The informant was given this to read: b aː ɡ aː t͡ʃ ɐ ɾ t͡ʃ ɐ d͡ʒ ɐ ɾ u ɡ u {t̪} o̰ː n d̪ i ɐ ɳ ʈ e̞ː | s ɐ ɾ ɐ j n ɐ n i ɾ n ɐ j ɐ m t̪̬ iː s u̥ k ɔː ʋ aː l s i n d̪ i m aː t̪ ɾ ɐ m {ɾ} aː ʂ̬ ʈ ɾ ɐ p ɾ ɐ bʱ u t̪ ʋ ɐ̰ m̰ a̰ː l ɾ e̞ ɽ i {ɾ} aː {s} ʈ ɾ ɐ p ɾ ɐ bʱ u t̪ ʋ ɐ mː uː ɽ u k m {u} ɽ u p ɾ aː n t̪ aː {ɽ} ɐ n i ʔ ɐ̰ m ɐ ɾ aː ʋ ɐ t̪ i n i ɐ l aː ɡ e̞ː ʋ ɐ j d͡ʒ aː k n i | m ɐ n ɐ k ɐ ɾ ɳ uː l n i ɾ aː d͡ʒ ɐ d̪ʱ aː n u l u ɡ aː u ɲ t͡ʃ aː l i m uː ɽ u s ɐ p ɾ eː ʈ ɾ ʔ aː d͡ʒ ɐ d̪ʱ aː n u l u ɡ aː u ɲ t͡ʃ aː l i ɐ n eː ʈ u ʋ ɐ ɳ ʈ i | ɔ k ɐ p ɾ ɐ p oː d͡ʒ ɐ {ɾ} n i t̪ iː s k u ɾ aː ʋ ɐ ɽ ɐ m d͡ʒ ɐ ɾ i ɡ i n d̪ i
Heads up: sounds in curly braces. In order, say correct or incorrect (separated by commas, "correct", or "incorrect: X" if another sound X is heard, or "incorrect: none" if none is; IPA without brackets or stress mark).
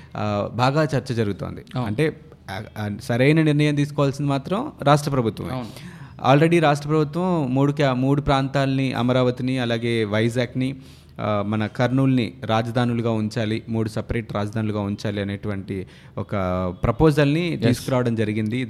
correct, correct, correct, incorrect: ʂ, incorrect: uː, incorrect: l, incorrect: l